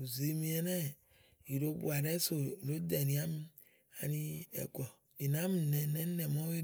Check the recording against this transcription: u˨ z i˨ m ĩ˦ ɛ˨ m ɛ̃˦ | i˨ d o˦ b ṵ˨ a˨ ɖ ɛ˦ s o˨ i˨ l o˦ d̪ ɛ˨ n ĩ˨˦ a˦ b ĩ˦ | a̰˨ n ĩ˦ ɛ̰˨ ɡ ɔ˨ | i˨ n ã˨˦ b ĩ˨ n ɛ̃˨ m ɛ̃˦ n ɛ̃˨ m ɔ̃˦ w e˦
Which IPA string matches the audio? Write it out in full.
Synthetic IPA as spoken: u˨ z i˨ m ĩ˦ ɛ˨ n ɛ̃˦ | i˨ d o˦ b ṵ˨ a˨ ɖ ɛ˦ s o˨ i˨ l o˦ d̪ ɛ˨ n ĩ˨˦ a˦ m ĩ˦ | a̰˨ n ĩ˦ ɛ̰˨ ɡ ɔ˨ | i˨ n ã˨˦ m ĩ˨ n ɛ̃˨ n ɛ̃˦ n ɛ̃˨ m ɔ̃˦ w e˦

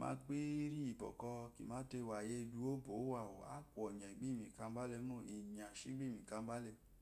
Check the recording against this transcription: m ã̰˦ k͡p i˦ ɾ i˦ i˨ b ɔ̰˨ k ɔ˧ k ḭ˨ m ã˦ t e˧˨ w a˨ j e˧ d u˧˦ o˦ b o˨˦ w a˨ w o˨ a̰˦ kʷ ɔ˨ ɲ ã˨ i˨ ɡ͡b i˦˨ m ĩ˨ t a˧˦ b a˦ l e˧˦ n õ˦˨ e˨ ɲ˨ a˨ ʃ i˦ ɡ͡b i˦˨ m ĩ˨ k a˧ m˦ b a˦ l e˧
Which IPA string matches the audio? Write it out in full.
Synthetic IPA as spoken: m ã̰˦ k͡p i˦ ɾ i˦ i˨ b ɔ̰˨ k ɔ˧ k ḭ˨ m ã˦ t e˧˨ w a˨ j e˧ d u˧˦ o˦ b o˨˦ w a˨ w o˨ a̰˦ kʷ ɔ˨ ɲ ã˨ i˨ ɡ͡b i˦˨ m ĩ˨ k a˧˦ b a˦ l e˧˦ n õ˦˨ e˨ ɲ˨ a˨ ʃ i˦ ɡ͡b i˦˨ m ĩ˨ k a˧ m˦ b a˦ l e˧

